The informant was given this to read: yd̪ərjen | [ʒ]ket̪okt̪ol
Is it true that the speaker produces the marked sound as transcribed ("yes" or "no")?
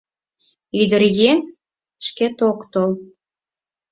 no